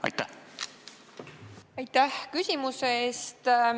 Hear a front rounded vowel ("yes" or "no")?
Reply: yes